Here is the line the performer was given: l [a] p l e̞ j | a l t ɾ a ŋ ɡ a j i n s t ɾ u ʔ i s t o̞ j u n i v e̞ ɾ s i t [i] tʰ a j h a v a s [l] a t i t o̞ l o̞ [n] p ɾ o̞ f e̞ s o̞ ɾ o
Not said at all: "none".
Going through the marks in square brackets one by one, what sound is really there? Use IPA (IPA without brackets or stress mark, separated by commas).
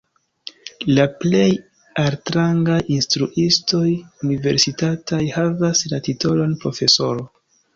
a, a, l, n